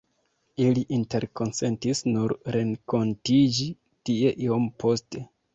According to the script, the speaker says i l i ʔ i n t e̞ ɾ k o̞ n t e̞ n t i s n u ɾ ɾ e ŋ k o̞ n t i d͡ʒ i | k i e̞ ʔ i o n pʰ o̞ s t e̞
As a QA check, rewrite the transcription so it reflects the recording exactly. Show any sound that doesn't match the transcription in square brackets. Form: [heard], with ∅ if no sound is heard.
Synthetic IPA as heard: i l i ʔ i n t e̞ ɾ k o̞ n [s] e̞ n t i s n u ɾ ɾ e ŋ k o̞ n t i d͡ʒ i | [t] i e̞ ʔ i o [m] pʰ o̞ s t e̞